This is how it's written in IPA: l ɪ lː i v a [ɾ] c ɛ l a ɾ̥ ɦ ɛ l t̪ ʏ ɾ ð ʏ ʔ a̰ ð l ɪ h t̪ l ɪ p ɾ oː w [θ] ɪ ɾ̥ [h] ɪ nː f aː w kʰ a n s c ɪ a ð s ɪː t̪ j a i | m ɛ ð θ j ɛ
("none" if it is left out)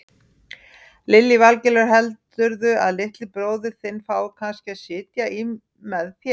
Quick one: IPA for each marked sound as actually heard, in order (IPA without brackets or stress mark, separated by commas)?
l, ð, θ